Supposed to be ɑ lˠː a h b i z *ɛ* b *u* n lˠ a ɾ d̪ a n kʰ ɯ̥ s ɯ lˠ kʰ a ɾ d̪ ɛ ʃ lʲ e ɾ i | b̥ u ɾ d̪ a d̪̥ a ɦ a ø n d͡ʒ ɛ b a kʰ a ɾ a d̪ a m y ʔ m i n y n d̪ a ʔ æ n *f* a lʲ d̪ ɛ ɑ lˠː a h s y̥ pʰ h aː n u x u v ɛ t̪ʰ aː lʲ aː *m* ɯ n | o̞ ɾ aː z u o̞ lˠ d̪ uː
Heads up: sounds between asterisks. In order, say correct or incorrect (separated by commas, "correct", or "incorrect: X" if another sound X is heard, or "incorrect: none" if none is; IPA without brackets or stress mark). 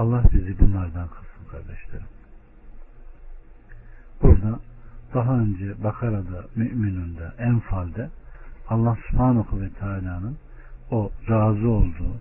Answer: incorrect: i, correct, correct, incorrect: n